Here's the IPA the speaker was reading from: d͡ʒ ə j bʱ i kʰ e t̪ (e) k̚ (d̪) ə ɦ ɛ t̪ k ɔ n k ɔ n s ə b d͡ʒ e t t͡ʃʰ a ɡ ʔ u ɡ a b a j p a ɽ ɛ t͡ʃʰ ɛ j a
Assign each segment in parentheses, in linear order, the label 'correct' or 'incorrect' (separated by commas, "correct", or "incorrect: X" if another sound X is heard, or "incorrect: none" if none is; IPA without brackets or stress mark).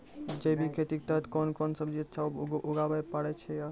incorrect: i, incorrect: t̪